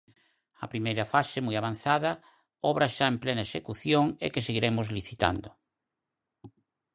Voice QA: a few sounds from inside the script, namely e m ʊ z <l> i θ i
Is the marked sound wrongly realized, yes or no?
no